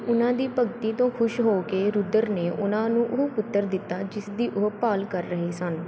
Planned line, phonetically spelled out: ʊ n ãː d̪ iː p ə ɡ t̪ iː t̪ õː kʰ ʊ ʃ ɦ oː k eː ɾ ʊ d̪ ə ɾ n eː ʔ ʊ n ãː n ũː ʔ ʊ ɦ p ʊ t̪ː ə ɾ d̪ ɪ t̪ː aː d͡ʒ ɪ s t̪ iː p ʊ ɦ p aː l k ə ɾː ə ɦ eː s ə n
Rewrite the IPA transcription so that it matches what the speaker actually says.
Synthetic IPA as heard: ʊ n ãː d̪ iː p ə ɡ t̪ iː t̪ õː kʰ ʊ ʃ ɦ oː k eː ɾ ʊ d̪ ə ɾ n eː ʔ ʊ n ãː n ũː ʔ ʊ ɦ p ʊ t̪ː ə ɾ d̪ ɪ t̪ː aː d͡ʒ ɪ s d̪ iː ʔ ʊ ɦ p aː l k ə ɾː ə ɦ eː s ə n

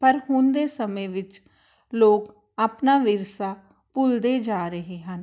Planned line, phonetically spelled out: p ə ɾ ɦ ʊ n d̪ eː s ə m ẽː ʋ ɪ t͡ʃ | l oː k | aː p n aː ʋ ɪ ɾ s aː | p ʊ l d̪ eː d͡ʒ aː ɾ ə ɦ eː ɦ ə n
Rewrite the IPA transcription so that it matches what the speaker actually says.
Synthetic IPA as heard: p ə ɾ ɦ ʊ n d̪ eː s ə m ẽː ʋ ɪ t͡ʃ | l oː k | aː p n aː ʋ ɪ ɾ s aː | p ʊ l d̪ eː d͡ʒ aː ɾ ə ɦ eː ɦ ə n

